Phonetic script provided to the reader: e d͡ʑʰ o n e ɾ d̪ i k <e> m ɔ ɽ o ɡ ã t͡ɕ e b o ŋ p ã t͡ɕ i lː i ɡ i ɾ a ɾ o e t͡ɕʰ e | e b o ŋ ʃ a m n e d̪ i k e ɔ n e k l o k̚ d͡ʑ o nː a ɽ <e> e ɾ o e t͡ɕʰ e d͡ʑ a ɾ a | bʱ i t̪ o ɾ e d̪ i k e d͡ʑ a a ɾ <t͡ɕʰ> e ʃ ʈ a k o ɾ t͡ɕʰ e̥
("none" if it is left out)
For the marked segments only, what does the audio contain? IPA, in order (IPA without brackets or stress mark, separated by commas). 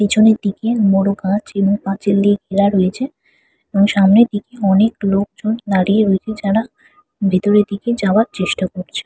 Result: e, i, t͡ɕ